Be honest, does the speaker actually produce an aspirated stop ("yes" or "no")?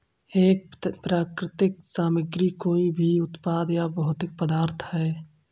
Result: yes